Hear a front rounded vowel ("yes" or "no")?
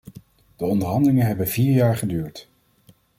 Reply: yes